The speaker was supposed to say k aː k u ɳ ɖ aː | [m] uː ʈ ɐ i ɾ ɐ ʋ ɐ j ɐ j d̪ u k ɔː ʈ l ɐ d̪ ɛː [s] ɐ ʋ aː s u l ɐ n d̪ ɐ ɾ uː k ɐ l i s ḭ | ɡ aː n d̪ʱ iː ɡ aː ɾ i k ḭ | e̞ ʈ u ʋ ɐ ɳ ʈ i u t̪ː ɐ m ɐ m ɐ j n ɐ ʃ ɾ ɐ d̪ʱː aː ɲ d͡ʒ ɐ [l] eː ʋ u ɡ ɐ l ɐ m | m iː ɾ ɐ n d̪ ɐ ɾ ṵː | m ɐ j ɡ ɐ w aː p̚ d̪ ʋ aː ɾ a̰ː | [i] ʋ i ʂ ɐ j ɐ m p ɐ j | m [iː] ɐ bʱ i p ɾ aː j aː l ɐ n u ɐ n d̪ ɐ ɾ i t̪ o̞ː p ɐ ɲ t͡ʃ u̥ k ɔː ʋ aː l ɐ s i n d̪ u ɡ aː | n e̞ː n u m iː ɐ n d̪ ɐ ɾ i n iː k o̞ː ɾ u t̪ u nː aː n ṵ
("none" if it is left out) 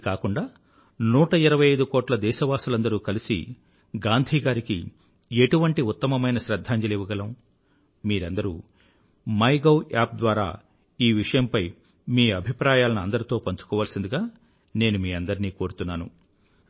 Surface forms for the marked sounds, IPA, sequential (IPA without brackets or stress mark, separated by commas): n, ʃ, l, iː, iː